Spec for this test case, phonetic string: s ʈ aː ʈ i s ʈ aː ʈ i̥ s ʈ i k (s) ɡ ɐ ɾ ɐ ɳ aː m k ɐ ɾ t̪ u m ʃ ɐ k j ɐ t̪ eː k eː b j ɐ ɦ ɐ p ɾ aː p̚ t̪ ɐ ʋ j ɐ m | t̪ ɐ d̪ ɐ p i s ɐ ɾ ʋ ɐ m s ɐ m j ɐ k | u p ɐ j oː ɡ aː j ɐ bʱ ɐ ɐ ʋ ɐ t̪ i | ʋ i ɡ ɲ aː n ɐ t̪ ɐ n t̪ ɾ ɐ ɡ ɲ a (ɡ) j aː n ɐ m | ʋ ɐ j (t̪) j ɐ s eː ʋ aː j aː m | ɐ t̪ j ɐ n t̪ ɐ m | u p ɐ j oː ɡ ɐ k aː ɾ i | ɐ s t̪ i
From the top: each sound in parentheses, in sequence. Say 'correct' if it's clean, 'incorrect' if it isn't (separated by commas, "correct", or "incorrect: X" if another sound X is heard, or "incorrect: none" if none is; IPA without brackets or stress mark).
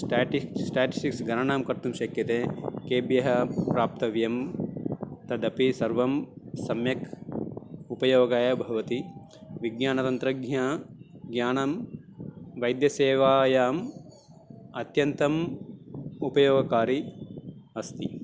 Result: correct, correct, incorrect: d̪